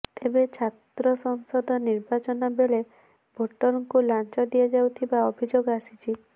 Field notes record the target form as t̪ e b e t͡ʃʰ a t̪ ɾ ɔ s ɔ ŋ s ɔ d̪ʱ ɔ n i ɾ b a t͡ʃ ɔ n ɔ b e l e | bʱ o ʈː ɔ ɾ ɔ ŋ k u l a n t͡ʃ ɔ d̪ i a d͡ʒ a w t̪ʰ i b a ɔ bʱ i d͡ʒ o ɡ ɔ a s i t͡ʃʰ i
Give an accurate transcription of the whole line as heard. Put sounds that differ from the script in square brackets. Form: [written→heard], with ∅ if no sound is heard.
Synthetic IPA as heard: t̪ e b e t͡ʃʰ a t̪ ɾ ɔ s ɔ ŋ s ɔ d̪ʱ ɔ n i ɾ b a t͡ʃ ɔ n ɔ b e [l→ɭ] e | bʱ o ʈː ɔ ɾ ɔ ŋ k u l a n t͡ʃ ɔ d̪ i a d͡ʒ a w t̪ʰ i b a ɔ bʱ i d͡ʒ o ɡ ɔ a s i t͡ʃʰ i

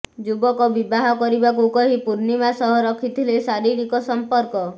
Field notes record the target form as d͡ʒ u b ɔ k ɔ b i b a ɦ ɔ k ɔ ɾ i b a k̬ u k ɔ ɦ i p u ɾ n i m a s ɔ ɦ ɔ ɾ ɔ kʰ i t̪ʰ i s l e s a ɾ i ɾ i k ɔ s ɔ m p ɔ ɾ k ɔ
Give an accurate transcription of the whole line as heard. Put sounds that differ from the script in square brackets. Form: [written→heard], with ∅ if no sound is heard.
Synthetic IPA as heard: d͡ʒ u b ɔ k ɔ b i b a ɦ ɔ k ɔ ɾ i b a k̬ u k ɔ ɦ i p u ɾ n i m a s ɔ ɦ ɔ ɾ ɔ kʰ i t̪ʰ i [s→∅] l e s a ɾ i ɾ i k ɔ s ɔ m p ɔ ɾ k ɔ

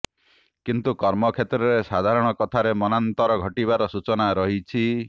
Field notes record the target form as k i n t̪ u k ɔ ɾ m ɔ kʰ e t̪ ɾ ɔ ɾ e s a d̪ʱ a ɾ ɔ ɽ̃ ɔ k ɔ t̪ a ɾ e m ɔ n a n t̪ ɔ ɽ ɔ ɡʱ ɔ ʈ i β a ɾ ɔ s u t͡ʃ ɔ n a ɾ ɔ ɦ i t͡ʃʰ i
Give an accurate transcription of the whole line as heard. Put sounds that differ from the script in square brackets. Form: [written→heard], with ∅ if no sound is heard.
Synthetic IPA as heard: k i n t̪ u k ɔ ɾ m ɔ kʰ e t̪ ɾ ɔ ɾ e s a d̪ʱ a ɾ ɔ ɽ̃ ɔ k ɔ [t̪→t̪ʰ] a ɾ e m ɔ n a n t̪ ɔ [ɽ→ɾ] ɔ ɡʱ ɔ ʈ i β a ɾ ɔ s u t͡ʃ ɔ n a ɾ ɔ ɦ i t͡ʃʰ i

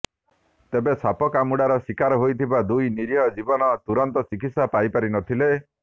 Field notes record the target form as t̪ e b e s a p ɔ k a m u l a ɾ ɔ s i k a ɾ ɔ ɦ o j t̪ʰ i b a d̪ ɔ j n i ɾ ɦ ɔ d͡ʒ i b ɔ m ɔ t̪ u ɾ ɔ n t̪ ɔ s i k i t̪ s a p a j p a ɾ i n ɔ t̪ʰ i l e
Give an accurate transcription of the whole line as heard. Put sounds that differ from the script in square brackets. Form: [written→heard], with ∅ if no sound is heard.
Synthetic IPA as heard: t̪ e b e s a p ɔ k a m u [l→ɽ] a ɾ ɔ s i k a ɾ ɔ ɦ o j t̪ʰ i b a d̪ [ɔ→u] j n i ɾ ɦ ɔ d͡ʒ i b ɔ [m→n] ɔ t̪ u ɾ ɔ n t̪ ɔ s i k i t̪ s a p a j p a ɾ i n ɔ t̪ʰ i l e

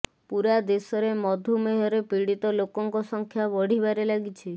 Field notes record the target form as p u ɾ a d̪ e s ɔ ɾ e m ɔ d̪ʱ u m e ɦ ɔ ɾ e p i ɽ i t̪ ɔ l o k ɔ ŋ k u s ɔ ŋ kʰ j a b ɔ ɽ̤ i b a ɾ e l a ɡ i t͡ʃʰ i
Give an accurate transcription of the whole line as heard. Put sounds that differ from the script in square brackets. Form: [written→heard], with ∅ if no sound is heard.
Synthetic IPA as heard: p u ɾ a d̪ e s ɔ ɾ e m ɔ d̪ʱ u m e ɦ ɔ ɾ e p i ɽ i t̪ ɔ l o k ɔ ŋ k [u→ɔ] s ɔ ŋ kʰ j a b ɔ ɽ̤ i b a ɾ e l a ɡ i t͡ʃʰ i

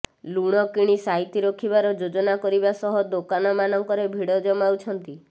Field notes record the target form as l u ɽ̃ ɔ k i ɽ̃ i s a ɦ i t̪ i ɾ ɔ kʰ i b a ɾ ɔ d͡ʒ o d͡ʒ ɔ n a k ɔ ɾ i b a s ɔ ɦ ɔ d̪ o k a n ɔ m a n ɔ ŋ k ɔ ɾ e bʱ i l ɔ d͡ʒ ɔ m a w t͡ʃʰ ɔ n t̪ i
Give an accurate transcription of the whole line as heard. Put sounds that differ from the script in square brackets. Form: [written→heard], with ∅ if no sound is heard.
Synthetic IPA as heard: l u ɽ̃ ɔ k i ɽ̃ i s a ɦ i t̪ i ɾ ɔ kʰ i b a ɾ ɔ d͡ʒ o d͡ʒ ɔ n a k ɔ ɾ i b a s ɔ ɦ ɔ d̪ o k a n ɔ m a n ɔ ŋ k ɔ ɾ e bʱ i [l→ɽ] ɔ d͡ʒ ɔ m a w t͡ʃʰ ɔ n t̪ i

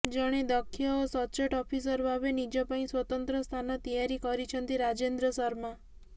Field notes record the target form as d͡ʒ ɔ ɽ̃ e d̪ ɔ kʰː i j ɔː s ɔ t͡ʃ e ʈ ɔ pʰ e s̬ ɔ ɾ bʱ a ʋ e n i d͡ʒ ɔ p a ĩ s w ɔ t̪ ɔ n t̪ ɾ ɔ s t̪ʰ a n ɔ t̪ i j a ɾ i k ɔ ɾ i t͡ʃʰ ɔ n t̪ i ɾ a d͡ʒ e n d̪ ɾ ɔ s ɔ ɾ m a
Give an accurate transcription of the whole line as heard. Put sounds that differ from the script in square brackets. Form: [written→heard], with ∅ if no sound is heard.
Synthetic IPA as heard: d͡ʒ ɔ ɽ̃ e d̪ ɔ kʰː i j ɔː s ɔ t͡ʃ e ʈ ɔ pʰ [e→i] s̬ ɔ ɾ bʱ a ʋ e n i d͡ʒ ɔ p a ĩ s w ɔ t̪ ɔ n t̪ ɾ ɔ s t̪ʰ a n ɔ t̪ i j a ɾ i k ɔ ɾ i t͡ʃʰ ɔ n t̪ i ɾ a d͡ʒ e n d̪ ɾ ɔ s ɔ ɾ m a

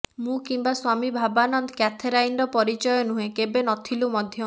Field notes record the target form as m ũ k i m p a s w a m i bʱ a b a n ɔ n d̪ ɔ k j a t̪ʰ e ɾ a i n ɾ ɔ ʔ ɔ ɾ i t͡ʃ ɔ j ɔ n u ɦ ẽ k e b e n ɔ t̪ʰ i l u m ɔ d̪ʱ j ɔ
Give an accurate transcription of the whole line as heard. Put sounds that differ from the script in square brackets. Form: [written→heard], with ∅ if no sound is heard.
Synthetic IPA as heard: m ũ k i m [p→b] a s w a m i bʱ a b a n ɔ n d̪ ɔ k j a t̪ʰ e ɾ a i n ɾ ɔ [ʔ→p] ɔ ɾ i t͡ʃ ɔ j ɔ n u ɦ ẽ k e b e n ɔ t̪ʰ i l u m ɔ d̪ʱ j ɔ

